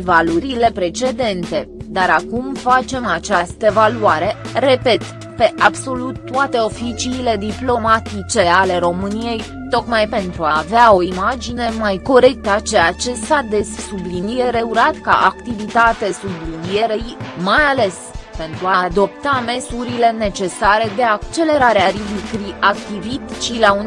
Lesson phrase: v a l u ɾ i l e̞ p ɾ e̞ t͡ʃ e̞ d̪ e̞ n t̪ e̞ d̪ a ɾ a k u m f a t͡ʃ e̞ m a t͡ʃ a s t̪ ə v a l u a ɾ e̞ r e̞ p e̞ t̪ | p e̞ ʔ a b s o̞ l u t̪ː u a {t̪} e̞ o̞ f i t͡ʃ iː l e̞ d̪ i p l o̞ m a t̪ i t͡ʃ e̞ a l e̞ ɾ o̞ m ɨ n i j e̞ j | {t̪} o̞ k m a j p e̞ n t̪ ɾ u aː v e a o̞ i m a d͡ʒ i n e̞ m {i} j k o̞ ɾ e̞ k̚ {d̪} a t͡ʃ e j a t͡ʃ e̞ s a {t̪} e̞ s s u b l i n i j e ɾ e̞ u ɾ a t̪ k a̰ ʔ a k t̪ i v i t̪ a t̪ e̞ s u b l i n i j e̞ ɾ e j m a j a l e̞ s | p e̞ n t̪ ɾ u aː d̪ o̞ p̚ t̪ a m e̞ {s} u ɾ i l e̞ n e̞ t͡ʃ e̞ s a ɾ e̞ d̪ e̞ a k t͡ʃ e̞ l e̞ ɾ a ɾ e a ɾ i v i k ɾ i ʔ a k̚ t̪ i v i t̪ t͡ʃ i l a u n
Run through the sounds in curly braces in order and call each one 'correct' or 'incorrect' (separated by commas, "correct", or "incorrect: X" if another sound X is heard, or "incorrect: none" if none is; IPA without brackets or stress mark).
correct, correct, incorrect: a, incorrect: t̪, incorrect: d̪, correct